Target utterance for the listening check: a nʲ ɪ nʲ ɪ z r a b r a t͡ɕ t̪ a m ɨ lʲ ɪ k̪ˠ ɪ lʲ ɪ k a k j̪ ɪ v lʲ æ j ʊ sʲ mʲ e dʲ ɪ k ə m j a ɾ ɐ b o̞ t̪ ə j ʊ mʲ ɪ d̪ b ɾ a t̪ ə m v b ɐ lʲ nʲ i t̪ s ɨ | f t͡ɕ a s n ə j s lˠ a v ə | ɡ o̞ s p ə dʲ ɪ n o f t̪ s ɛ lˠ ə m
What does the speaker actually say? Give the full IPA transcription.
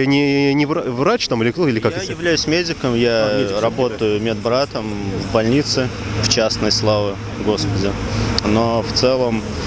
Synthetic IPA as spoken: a nʲ ɪ nʲ ɪ v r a v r a t͡ɕ t̪ a m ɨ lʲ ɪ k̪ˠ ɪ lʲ ɪ k a k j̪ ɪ v lʲ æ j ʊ sʲ mʲ e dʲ ɪ k ə m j a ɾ ɐ b o̞ t̪ ə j ʊ mʲ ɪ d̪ b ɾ a t̪ ə m v b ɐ lʲ nʲ i t̪ s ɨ | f t͡ɕ a s n ə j s lˠ a v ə | ɡ o̞ s p ə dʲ ɪ n o f t̪ s ɛ lˠ ə m